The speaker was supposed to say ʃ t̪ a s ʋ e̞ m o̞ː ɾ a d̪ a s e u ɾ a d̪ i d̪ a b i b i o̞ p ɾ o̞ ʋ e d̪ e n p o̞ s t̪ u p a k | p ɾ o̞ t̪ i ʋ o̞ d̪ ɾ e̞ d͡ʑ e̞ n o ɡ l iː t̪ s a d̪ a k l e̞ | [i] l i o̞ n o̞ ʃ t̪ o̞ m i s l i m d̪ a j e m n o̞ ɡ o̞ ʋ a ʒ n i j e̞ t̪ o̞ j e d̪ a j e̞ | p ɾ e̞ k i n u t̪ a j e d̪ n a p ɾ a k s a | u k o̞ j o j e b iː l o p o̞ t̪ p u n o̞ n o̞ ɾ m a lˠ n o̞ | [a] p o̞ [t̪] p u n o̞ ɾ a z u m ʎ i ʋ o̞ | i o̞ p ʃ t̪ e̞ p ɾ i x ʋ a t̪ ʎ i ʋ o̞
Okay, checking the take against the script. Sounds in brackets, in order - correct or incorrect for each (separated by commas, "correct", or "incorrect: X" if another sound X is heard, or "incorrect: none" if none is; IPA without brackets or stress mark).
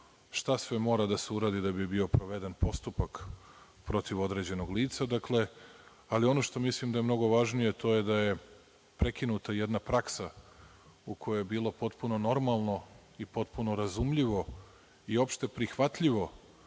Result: incorrect: a, incorrect: i, correct